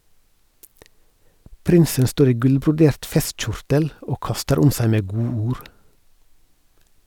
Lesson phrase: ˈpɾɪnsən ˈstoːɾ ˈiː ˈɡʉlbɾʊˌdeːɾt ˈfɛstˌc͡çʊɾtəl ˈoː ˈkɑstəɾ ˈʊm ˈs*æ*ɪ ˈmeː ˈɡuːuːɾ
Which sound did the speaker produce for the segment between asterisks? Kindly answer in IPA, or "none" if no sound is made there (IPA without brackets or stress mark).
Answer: æ